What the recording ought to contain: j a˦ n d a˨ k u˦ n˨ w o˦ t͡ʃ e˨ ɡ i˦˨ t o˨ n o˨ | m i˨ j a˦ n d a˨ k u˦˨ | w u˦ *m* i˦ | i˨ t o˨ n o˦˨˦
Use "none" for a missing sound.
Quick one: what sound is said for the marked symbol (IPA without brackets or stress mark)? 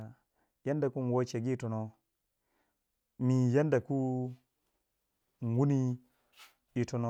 n